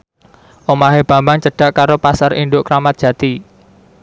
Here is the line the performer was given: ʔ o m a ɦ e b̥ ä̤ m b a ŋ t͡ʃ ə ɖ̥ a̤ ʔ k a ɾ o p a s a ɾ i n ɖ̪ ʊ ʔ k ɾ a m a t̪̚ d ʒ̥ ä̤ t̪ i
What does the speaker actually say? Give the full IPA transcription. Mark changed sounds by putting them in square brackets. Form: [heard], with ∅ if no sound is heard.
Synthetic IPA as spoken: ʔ o m a ɦ e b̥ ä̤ m b a ŋ t͡ʃ ə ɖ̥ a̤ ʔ k a ɾ o p a s a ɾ i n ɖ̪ ʊ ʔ k ɾ a m a t̪̚ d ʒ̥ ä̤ t̪ i

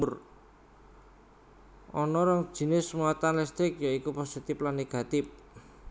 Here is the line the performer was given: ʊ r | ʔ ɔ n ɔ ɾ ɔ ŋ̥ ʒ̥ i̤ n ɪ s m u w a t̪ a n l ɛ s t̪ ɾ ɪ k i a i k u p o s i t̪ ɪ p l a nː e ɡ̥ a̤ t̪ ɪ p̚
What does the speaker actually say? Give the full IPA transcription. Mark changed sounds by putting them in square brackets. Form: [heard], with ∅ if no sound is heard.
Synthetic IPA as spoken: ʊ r | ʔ ɔ n ɔ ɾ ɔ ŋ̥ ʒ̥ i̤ n ɪ s m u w a t̪ a n l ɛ s t̪ ɾ ɪ k [j] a i k u p o s i t̪ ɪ p l a nː e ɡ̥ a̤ t̪ ɪ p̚

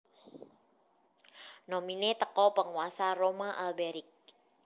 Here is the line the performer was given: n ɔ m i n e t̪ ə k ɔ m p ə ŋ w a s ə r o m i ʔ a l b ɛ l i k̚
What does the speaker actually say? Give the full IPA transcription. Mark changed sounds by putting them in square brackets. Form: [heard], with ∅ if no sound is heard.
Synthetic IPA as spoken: n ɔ m i n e t̪ ə k ɔ [∅] p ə ŋ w a s [a] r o m [a] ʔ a l b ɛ [ɾ] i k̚

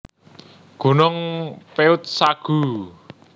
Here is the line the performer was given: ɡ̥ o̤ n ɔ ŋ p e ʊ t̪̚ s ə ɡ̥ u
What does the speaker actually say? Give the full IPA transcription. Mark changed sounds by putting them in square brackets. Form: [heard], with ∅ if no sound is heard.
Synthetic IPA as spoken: ɡ̥ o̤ n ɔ ŋ p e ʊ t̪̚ s [a] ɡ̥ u

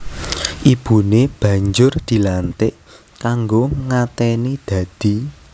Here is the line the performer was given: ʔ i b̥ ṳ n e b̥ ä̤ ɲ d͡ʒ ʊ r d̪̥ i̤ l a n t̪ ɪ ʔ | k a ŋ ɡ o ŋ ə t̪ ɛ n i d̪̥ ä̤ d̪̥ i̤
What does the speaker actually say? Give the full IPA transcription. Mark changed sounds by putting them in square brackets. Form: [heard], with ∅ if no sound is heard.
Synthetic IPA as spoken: ʔ i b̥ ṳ n e b̥ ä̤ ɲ d͡ʒ ʊ r d̪̥ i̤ l a n t̪ ɪ ʔ | k a ŋ ɡ o ŋ [a] t̪ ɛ n i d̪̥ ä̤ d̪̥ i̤

